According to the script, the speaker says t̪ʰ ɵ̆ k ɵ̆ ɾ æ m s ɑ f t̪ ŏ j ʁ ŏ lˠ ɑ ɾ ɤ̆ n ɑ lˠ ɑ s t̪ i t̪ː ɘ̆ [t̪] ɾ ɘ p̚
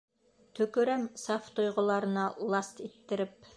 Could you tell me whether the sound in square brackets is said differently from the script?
yes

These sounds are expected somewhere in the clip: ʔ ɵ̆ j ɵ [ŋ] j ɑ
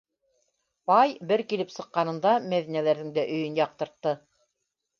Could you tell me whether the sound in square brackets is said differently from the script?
yes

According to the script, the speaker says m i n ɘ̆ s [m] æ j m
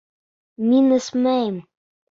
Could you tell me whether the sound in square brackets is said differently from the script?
no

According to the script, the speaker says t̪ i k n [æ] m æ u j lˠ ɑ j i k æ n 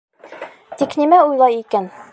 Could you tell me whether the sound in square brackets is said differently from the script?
yes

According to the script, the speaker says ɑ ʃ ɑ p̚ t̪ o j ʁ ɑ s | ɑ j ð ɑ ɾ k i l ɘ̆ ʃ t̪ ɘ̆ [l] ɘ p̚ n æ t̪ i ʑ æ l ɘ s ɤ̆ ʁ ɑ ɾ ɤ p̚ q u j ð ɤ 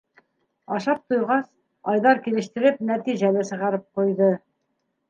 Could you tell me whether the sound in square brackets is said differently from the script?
yes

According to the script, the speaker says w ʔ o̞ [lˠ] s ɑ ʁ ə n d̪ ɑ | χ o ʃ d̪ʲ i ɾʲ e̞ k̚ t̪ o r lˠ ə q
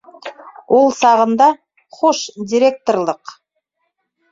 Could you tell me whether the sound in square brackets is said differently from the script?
no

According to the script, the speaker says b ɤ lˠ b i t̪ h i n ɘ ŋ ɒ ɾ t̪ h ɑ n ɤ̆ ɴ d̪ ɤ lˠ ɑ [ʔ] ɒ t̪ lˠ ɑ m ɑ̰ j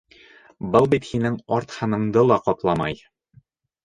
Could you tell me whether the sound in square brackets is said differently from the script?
yes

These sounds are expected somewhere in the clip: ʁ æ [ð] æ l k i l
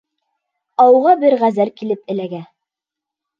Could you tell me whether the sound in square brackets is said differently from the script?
yes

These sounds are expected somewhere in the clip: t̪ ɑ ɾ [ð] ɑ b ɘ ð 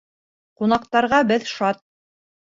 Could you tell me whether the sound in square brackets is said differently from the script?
yes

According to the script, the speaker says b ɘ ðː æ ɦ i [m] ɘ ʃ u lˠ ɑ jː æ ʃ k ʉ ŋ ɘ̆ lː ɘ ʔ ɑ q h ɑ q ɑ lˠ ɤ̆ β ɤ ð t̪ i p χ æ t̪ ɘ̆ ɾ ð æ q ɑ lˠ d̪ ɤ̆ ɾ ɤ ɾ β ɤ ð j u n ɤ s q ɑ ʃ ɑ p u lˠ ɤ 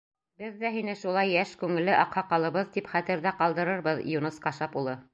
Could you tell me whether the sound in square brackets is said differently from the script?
yes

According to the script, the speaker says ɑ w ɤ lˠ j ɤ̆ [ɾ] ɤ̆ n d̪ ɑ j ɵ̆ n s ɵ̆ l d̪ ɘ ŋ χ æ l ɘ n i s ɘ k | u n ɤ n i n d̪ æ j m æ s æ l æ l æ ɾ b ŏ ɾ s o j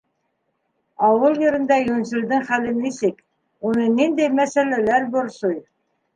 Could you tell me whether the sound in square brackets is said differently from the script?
no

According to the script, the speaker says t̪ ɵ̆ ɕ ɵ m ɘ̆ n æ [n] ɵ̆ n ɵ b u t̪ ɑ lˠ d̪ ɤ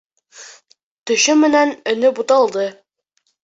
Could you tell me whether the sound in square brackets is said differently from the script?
no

